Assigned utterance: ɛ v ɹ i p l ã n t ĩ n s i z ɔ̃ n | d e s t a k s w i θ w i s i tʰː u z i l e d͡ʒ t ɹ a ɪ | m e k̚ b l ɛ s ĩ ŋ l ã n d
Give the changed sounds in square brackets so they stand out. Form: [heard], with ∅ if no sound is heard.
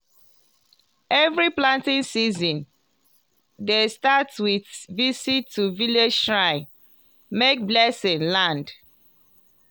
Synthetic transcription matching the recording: ɛ v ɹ i p l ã n t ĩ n s i z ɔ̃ n | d e s t a [t] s w i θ [v] i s i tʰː u [v] i l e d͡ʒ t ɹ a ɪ | m e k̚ b l ɛ s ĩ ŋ l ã n d